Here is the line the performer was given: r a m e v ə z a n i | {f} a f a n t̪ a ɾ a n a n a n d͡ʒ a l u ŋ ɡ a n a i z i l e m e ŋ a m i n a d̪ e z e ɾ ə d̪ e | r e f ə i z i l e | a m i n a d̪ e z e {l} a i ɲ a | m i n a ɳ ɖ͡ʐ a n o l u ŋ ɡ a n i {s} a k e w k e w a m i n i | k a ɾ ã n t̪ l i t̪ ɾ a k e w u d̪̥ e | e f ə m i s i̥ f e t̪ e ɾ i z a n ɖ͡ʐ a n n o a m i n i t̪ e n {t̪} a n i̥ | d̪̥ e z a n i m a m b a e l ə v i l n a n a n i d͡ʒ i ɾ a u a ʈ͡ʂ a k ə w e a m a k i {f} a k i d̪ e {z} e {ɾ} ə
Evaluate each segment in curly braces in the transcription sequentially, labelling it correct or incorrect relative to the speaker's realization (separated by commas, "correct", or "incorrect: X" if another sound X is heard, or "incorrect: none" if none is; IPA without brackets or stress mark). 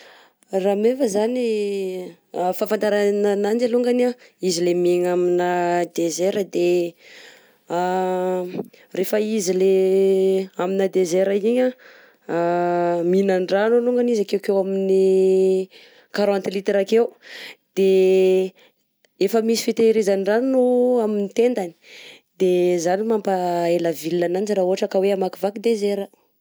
correct, incorrect: ɾ, incorrect: z, incorrect: d̪, incorrect: v, correct, correct